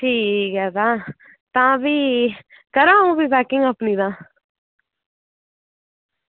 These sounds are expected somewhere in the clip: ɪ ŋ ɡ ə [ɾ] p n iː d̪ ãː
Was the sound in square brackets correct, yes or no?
no